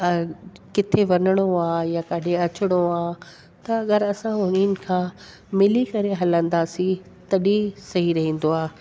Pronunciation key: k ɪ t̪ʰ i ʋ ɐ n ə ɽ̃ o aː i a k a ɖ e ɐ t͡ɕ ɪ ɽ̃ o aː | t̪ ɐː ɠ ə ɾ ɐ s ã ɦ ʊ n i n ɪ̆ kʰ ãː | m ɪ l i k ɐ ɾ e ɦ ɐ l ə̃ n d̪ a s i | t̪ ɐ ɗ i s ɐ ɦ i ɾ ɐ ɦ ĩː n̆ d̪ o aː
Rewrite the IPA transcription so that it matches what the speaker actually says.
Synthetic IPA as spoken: k ɪ t̪ʰ e ʋ ɐ n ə ɽ̃ o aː j a k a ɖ e ɐ t͡ɕ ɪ ɽ̃ o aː | t̪ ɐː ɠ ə ɾ ɐ s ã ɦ ʊ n i n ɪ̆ kʰ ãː | m ɪ l i k ɐ ɾ e ɦ ɐ l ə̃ n d̪ a s i | t̪ ɐ ɗ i s ɐ ɦ i ɾ ɐ ɦ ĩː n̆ d̪ o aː